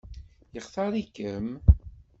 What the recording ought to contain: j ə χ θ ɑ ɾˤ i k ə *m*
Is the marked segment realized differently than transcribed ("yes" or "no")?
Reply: no